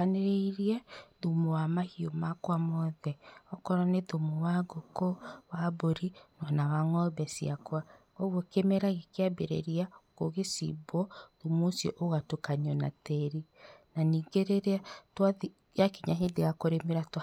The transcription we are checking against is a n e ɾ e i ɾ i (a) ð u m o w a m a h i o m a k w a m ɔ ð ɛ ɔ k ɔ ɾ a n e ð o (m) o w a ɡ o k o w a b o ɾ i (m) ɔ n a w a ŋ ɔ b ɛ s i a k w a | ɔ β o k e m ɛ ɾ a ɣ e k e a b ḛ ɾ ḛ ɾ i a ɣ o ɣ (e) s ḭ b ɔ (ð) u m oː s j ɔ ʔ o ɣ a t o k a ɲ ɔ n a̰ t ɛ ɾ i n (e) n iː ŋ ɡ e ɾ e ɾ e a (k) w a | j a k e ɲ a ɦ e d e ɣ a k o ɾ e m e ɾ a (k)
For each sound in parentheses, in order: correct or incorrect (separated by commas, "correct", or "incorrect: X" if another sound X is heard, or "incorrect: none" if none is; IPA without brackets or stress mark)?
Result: incorrect: ɛ, correct, incorrect: n, correct, correct, incorrect: a, incorrect: t, incorrect: t